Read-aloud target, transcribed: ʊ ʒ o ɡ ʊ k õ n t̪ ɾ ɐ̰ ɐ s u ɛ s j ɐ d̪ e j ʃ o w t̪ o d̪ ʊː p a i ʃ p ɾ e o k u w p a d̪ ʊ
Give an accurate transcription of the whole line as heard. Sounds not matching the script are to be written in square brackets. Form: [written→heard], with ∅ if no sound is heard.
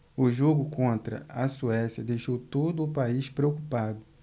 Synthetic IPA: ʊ ʒ o ɡ ʊ k õ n t̪ ɾ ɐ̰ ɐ s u ɛ s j ɐ d̪ e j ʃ o w t̪ o d̪ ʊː p a i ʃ p ɾ e o k u [w→∅] p a d̪ ʊ